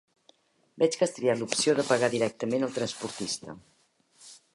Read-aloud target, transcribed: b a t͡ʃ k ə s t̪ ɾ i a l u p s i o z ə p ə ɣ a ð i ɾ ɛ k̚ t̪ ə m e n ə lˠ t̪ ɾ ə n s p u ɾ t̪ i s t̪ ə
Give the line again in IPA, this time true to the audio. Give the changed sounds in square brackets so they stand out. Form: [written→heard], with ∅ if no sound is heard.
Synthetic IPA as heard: b [a→ɛ] t͡ʃ k ə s t̪ ɾ i a l u p s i o [z→ð] ə p ə ɣ a ð i ɾ ɛ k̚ t̪ ə m e n ə lˠ t̪ ɾ ə n s p u ɾ t̪ i s t̪ ə